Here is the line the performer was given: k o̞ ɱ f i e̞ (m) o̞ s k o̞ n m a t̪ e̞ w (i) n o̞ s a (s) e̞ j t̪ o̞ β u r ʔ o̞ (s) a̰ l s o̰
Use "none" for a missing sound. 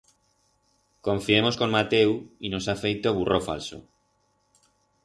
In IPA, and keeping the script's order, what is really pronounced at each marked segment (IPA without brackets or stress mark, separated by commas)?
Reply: m, i, f, f